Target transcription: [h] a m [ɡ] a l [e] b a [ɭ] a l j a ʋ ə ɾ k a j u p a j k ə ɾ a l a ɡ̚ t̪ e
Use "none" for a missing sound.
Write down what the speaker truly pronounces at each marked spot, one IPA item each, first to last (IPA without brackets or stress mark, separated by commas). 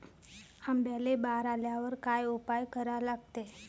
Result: h, b, e, ɾ